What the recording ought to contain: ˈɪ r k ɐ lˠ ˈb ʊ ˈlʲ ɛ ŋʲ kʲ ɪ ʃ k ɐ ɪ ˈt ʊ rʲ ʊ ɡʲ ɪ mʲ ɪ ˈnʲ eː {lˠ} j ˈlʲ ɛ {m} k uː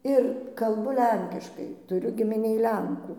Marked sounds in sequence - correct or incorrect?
incorrect: none, incorrect: ŋ

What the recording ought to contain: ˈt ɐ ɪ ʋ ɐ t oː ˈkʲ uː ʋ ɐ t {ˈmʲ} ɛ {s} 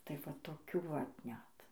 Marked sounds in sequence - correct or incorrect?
incorrect: nʲ, incorrect: t

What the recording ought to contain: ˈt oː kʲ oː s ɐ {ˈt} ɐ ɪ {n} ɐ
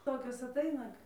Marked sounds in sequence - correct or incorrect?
correct, correct

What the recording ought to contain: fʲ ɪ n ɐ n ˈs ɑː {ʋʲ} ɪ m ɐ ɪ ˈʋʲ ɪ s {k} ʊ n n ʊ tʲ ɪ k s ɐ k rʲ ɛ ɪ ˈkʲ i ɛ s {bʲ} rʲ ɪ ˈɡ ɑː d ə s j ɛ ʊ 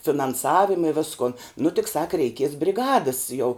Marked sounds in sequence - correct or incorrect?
correct, correct, correct

